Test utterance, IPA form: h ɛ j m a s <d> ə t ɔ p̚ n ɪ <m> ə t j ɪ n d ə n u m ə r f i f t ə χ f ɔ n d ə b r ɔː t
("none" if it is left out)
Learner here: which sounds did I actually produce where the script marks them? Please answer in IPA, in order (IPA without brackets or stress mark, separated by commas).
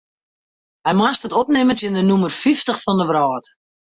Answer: t, m